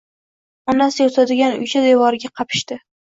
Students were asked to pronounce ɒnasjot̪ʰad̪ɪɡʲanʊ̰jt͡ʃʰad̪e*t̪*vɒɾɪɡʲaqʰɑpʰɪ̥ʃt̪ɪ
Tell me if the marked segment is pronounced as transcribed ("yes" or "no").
no